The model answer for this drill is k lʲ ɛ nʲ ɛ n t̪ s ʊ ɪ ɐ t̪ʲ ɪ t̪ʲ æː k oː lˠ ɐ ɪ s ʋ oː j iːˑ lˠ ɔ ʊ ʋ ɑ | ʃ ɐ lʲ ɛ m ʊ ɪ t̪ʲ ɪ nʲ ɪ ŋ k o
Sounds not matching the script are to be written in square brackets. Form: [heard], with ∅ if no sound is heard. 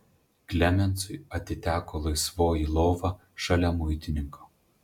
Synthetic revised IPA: k lʲ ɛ [mʲ] ɛ n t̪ s ʊ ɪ ɐ t̪ʲ ɪ t̪ʲ æː k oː lˠ ɐ ɪ s ʋ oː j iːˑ lˠ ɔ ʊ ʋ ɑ | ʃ ɐ lʲ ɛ m ʊ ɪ t̪ʲ ɪ nʲ ɪ ŋ k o